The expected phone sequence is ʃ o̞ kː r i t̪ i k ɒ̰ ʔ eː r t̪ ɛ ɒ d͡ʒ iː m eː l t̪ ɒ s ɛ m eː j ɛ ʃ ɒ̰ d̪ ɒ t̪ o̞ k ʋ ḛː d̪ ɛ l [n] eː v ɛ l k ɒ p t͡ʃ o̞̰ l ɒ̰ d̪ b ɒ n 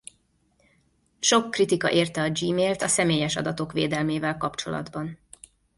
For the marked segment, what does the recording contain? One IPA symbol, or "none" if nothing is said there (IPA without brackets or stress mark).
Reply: m